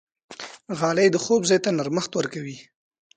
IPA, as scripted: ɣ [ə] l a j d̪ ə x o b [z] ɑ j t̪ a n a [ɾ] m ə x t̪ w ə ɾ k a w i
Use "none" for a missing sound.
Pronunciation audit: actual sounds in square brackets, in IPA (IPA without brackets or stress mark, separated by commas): ɑ, z, ɾ